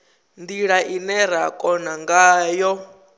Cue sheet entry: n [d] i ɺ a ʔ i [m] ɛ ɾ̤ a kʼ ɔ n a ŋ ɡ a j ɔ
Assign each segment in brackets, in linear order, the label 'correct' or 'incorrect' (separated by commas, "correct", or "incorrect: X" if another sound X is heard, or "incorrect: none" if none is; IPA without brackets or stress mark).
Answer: correct, incorrect: n